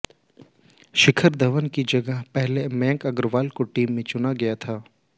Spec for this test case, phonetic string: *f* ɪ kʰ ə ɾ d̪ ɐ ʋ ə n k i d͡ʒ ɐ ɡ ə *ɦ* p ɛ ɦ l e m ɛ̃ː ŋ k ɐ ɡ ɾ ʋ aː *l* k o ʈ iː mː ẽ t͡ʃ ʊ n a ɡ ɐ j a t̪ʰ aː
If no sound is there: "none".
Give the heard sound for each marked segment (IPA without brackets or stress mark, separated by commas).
ʃ, ɦ, l